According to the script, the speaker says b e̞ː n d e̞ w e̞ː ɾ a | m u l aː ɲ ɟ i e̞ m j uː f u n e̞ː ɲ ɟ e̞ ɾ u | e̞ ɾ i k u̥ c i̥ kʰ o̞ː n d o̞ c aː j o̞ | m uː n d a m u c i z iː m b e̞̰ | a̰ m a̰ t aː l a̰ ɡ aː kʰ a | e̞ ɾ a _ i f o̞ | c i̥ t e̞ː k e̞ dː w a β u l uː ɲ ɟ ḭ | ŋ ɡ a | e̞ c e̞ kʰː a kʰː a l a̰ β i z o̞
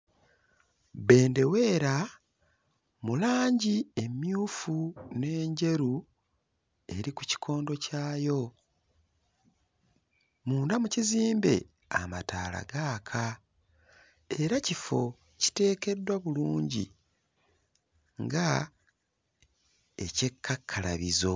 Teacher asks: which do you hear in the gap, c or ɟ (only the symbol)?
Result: c